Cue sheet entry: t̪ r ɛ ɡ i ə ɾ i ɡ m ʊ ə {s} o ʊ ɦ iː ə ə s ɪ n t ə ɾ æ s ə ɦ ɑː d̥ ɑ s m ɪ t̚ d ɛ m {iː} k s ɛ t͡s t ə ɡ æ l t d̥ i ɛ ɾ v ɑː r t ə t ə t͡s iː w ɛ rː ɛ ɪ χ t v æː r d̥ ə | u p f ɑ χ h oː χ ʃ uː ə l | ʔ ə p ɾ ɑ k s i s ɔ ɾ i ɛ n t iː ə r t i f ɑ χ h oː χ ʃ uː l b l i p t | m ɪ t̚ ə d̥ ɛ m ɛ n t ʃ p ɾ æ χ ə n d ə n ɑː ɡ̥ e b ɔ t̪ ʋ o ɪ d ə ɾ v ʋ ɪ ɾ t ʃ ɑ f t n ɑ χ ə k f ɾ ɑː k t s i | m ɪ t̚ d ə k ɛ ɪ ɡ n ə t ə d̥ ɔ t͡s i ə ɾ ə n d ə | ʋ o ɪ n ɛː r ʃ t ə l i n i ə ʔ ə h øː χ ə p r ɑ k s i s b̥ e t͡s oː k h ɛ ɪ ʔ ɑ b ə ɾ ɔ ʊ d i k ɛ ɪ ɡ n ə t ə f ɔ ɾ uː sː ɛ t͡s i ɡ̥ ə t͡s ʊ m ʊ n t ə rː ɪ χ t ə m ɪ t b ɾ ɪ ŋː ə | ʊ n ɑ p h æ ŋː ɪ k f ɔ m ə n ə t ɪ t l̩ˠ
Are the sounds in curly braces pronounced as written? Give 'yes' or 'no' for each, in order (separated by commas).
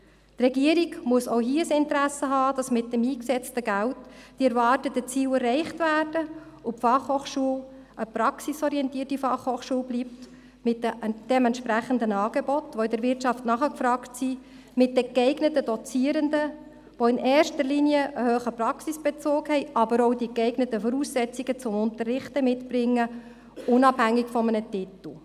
yes, yes